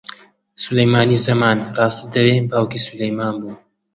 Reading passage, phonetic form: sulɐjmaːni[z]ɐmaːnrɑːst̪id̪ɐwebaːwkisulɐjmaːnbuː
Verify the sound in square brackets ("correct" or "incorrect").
correct